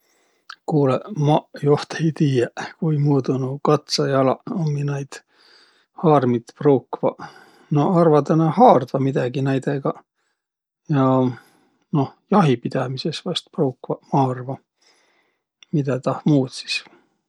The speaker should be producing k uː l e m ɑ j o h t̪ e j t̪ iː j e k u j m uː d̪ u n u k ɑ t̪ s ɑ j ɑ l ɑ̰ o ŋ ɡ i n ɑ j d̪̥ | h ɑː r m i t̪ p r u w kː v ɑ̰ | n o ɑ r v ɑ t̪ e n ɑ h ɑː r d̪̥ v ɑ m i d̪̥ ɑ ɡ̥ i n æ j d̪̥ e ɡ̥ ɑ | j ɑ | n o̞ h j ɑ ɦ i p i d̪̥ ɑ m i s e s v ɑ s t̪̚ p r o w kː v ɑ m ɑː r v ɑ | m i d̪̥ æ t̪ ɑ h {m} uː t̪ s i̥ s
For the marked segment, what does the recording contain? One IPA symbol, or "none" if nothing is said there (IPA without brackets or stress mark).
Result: m